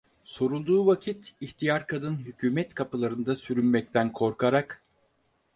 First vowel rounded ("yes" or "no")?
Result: yes